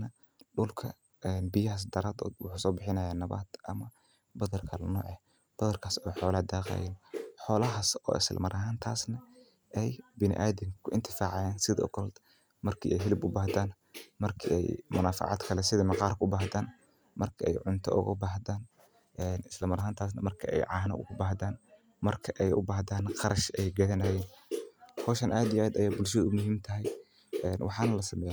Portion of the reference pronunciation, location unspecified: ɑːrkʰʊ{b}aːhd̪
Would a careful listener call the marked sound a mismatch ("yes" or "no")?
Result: no